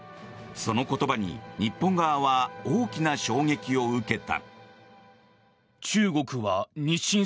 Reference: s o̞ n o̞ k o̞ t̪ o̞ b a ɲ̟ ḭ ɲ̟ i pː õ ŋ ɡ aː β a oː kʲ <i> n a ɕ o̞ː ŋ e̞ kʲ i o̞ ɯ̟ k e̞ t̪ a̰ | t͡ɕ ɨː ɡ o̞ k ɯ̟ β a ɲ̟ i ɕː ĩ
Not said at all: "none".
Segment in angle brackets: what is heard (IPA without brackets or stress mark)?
i